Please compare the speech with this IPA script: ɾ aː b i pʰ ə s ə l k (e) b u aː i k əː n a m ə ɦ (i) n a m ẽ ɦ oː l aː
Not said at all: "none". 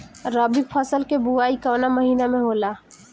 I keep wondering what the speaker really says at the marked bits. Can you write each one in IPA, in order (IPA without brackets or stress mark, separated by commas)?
e, iː